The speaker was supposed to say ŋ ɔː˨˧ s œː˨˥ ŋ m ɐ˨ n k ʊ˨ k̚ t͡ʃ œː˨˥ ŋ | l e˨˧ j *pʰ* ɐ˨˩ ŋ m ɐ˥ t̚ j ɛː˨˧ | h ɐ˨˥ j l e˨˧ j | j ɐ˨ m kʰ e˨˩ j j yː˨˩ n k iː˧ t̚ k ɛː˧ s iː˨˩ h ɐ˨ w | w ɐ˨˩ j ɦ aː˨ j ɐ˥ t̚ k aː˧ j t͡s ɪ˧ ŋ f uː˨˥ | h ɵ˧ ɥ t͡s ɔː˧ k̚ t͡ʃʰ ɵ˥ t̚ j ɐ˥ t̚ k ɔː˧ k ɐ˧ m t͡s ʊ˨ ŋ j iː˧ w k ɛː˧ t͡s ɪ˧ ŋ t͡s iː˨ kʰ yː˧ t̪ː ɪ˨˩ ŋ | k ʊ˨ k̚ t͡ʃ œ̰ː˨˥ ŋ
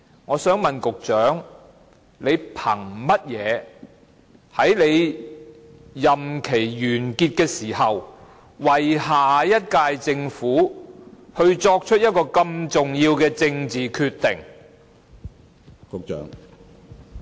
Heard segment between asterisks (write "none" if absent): pʰ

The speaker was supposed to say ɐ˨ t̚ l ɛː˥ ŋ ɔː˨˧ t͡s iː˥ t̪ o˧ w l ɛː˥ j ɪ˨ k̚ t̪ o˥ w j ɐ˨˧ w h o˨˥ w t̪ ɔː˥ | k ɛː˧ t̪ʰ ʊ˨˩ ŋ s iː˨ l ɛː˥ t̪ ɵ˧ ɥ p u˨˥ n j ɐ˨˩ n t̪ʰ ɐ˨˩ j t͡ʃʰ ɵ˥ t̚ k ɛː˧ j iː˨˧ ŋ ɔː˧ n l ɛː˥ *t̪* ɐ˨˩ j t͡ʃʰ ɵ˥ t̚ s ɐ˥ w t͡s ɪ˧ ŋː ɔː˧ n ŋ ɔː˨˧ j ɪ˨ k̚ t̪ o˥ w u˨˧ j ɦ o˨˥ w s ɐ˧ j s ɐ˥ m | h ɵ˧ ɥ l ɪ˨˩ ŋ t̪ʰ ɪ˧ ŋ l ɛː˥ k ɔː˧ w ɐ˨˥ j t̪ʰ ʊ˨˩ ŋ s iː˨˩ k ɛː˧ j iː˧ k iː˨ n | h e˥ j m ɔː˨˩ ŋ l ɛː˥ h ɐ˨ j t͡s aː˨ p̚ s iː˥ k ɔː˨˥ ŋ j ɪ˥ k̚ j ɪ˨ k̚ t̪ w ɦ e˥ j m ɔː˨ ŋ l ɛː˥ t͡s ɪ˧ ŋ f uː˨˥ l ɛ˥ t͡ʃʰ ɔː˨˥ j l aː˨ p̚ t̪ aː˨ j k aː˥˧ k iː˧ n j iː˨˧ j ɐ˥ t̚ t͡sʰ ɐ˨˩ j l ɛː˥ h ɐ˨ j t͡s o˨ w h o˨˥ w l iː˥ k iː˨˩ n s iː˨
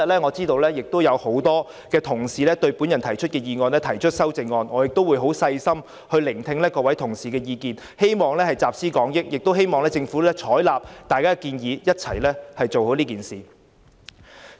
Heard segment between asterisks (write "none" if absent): t̪ʰ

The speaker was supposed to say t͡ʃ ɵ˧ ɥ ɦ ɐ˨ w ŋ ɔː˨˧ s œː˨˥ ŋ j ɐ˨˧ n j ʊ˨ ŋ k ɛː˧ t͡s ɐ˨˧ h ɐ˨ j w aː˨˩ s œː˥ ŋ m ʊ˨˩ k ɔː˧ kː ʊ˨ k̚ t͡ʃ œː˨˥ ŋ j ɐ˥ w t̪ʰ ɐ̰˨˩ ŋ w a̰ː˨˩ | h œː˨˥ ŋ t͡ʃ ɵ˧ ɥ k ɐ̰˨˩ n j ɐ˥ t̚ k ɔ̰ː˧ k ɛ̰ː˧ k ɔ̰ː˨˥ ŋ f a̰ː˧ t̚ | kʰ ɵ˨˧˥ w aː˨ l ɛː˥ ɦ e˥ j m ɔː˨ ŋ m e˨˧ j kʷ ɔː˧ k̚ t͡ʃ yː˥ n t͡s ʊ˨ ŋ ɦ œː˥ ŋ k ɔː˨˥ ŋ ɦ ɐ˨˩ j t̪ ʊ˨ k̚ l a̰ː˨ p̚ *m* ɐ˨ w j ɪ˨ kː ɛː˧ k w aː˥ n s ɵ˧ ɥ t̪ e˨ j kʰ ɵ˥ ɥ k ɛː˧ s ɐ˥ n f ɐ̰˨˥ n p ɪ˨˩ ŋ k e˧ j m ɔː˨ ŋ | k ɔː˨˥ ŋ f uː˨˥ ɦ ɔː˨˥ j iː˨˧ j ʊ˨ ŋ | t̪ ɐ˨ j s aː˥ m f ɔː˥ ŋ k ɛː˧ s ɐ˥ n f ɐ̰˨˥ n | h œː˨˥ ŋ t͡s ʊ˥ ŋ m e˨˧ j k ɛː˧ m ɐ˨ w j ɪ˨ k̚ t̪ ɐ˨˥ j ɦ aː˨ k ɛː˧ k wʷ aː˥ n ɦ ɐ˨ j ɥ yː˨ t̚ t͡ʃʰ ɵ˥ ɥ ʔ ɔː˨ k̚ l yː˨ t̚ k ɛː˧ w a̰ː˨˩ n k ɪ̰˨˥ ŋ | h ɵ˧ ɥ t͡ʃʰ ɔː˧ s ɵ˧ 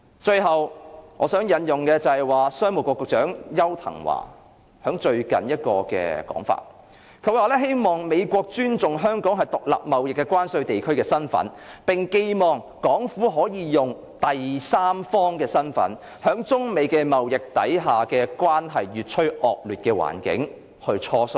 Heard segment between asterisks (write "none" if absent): m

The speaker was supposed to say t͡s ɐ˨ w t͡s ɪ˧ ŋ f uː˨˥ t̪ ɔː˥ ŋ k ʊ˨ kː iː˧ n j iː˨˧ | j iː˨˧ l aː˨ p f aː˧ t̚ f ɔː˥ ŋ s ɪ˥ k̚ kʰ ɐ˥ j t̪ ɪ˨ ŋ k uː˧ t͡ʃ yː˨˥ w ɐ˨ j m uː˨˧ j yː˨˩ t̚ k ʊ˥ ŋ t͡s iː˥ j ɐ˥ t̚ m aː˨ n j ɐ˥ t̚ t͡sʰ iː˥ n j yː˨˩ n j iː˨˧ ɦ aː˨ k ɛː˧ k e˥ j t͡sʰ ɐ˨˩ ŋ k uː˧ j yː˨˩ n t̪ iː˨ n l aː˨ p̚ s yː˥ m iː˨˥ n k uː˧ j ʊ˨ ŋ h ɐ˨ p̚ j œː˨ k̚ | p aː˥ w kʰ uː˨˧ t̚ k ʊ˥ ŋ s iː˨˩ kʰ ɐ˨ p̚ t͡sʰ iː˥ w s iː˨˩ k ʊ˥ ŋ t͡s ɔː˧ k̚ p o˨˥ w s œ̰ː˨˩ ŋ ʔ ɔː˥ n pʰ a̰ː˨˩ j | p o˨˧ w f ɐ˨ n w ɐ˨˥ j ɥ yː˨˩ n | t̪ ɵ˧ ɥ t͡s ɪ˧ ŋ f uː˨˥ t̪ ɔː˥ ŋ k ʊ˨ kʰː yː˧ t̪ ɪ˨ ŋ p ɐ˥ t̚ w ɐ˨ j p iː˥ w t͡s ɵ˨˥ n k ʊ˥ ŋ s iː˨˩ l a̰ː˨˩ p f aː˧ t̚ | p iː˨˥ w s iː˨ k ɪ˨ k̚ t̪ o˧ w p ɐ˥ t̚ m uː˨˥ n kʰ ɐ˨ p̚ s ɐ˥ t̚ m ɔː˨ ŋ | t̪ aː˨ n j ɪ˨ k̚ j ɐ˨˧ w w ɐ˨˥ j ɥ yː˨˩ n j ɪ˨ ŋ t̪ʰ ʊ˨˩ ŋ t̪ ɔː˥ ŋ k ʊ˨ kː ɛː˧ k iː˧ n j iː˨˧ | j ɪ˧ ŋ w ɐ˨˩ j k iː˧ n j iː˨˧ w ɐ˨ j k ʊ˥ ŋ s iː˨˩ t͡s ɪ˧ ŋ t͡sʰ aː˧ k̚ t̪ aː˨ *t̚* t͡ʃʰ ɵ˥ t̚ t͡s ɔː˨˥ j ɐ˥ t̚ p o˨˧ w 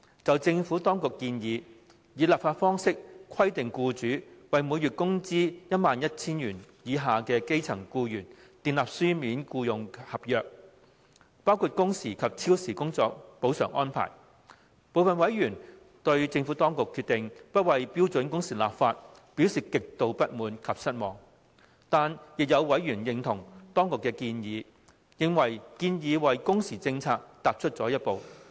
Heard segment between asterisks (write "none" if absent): p̚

